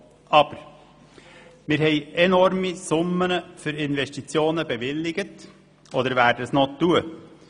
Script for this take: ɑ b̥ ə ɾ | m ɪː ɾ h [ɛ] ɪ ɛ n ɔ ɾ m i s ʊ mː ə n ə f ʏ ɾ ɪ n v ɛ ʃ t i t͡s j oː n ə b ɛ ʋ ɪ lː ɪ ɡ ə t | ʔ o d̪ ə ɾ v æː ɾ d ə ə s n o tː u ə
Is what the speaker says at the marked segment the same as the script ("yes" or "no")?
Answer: yes